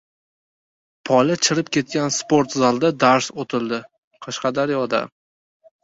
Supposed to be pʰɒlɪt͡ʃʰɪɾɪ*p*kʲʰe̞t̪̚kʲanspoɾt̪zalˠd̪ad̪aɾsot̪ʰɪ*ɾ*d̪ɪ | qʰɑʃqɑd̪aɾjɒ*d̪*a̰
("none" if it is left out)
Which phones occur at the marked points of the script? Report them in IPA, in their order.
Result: p, l, d̪

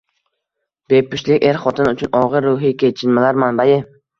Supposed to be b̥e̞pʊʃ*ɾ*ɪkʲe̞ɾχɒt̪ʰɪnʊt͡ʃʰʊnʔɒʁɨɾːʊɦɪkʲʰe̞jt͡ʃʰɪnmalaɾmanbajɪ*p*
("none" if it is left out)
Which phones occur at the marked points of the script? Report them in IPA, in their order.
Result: l, none

